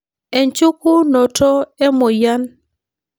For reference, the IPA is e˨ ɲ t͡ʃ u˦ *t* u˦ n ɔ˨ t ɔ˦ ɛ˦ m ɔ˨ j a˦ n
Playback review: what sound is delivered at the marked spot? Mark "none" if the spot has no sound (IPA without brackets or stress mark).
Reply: k